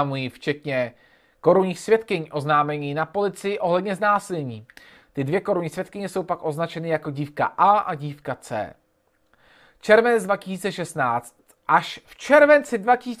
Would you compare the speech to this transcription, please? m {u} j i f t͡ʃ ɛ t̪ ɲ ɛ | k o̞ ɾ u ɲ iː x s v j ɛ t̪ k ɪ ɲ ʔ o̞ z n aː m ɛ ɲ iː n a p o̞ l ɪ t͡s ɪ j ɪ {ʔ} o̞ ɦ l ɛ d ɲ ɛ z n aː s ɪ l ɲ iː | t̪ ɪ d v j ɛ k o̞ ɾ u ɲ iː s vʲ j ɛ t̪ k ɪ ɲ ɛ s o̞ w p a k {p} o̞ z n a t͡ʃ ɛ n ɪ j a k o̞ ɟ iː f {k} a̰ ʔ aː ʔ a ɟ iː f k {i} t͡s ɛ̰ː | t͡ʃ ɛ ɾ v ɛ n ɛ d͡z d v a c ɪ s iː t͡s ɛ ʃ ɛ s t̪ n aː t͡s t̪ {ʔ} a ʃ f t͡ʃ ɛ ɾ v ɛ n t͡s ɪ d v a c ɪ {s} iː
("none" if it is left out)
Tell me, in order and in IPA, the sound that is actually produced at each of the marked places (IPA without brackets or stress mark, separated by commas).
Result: u, ʔ, ʔ, k, a, ʔ, s